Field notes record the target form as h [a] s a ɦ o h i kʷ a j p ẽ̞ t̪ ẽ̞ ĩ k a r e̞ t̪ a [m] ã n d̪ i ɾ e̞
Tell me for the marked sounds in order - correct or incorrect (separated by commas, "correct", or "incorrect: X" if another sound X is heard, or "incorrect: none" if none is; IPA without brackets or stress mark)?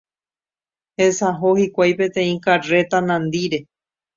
incorrect: e, incorrect: n